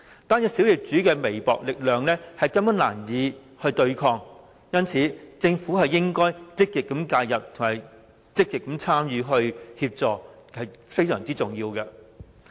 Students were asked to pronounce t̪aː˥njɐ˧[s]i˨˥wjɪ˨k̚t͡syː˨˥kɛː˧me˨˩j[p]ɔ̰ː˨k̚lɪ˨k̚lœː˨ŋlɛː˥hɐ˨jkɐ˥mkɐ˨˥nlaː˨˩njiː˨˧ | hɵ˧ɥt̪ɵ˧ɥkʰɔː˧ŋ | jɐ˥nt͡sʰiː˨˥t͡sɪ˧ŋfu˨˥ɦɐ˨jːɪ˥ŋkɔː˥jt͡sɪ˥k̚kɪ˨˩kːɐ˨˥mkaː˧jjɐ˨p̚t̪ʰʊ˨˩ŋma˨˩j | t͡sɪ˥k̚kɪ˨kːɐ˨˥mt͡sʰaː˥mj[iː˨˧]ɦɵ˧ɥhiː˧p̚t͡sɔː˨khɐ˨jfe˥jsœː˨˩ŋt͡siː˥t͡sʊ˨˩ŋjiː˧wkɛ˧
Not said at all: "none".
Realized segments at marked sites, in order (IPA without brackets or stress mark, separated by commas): s, p, yː˨˧